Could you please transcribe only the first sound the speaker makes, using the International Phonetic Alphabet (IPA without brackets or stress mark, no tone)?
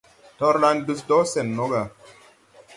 t